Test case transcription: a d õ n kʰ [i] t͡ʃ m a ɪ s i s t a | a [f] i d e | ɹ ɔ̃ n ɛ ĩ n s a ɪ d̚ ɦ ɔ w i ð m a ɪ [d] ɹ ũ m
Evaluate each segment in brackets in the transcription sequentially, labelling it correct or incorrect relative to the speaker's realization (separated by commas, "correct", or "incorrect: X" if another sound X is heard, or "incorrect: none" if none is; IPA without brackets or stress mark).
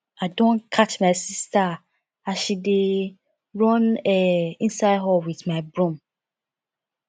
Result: incorrect: a, incorrect: ʃ, incorrect: b